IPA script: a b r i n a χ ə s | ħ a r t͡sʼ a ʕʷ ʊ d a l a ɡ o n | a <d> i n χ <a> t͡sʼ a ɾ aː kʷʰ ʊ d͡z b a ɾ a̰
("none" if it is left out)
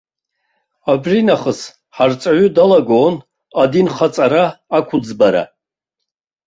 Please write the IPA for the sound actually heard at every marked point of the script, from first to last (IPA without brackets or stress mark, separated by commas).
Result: d, a